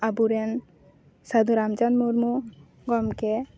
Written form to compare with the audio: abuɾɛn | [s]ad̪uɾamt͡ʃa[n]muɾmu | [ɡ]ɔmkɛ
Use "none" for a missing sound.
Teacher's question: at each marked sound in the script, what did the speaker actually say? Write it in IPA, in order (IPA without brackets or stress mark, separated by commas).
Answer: s, n, ɡ